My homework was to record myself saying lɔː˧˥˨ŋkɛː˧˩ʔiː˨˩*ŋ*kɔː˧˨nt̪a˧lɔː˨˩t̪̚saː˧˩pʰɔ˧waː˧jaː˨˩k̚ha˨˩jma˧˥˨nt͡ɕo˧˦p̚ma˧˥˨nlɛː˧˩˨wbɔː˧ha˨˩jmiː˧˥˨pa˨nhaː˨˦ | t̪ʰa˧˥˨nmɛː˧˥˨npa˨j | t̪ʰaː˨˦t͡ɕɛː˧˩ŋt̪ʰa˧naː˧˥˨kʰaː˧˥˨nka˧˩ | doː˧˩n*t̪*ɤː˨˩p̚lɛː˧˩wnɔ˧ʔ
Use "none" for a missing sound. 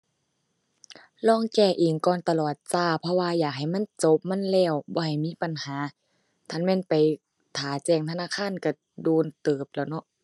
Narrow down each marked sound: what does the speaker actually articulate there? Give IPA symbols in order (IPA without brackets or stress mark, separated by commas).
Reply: ŋ, t̪